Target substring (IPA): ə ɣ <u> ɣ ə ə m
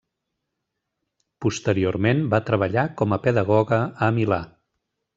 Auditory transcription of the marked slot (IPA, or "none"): ɔ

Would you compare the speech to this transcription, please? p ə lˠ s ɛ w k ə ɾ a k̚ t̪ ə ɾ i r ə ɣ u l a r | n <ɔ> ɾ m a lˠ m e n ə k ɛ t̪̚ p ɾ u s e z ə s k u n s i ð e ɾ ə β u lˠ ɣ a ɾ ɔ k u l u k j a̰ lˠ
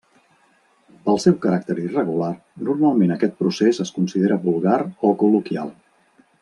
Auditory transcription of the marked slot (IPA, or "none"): u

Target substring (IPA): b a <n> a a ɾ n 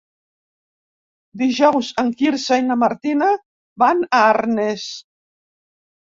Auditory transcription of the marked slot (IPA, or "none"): n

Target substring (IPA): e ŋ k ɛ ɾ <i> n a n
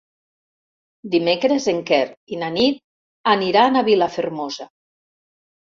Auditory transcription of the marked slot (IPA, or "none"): i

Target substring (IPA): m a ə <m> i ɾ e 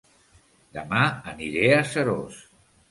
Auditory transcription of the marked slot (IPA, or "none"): n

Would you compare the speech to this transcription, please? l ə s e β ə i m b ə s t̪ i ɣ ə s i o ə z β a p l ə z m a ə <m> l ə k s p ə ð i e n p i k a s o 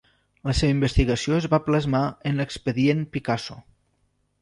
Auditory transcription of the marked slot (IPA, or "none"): n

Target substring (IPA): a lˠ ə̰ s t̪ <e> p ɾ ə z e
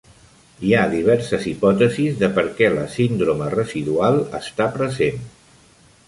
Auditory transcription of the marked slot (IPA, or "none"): a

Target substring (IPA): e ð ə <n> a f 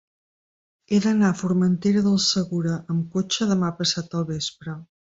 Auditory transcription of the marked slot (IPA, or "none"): n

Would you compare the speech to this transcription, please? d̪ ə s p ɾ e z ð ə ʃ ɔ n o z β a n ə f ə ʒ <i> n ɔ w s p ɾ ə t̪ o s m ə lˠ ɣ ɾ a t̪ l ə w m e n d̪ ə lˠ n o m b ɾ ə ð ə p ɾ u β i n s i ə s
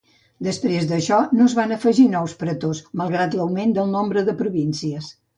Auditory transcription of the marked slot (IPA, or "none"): i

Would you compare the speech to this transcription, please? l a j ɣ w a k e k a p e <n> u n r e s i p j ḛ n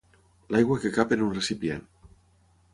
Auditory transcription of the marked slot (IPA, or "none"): n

